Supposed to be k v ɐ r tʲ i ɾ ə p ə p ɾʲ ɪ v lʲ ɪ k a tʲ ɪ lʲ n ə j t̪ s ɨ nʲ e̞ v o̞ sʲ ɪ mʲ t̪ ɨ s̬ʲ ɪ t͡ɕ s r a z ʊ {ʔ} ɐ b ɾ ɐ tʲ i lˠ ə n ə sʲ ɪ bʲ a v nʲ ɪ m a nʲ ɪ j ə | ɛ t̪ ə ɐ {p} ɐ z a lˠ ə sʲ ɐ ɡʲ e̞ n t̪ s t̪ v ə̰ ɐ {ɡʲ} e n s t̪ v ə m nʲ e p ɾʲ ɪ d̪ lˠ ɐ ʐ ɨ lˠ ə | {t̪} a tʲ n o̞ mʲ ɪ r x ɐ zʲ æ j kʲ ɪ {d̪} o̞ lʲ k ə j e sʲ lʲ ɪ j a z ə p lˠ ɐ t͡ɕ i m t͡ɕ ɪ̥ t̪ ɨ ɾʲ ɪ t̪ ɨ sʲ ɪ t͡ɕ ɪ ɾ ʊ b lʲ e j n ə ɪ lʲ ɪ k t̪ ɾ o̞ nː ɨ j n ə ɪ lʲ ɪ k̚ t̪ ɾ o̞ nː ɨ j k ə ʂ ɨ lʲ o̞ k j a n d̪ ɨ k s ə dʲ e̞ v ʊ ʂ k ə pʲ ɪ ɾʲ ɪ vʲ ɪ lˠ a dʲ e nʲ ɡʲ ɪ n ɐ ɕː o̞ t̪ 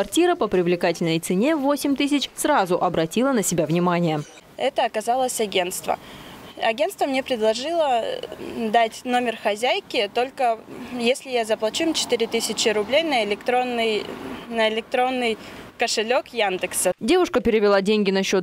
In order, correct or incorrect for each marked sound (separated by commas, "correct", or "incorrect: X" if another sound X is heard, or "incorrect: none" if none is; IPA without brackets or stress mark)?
correct, incorrect: k, correct, incorrect: d̪, incorrect: t̪